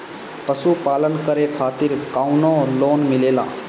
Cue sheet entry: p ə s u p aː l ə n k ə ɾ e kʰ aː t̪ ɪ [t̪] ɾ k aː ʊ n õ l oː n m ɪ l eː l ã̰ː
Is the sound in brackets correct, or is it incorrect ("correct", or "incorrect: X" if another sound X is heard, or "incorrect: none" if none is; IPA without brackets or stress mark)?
incorrect: none